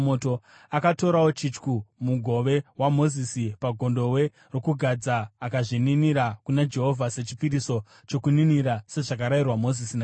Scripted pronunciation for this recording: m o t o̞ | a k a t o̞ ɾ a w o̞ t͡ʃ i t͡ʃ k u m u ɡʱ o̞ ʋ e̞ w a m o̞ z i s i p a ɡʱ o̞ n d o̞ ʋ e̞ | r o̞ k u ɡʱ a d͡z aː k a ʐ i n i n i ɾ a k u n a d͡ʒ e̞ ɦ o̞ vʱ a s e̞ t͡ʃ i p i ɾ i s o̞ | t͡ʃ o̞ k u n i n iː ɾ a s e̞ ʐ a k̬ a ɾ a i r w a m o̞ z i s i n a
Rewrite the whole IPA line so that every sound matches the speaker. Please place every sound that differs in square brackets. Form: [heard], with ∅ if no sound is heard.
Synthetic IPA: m o t o̞ | a k a t o̞ ɾ a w o̞ t͡ʃ i t͡ʃ k u m u ɡʱ o̞ ʋ e̞ w a m o̞ z i s i p a ɡʱ o̞ n d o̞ [w] e̞ | r o̞ k u ɡʱ a d͡z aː k a ʐ i n i n i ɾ a k u n a d͡ʒ e̞ ɦ o̞ vʱ a s e̞ t͡ʃ i p i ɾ i s o̞ | t͡ʃ o̞ k u n i n [i] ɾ a s e̞ ʐ a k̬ a ɾ a i r w a m o̞ z i s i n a